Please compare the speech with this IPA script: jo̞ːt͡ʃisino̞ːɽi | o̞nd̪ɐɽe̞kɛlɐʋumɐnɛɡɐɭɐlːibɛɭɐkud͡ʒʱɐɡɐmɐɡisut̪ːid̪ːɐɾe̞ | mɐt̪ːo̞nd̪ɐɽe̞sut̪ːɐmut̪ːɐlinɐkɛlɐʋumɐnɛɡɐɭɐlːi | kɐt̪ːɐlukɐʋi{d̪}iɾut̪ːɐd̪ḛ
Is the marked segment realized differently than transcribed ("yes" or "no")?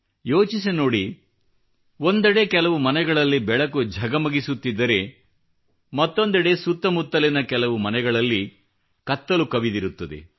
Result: no